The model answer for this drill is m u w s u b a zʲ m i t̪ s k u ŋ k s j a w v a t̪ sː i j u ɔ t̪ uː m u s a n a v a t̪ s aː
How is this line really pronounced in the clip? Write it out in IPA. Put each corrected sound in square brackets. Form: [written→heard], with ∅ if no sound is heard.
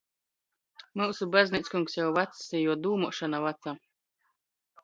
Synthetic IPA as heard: m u w s u b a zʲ [m→n] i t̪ s k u ŋ k s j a w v a t̪ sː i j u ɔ [t̪→d̪] uː m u [s→ʃ] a n a v a t̪ s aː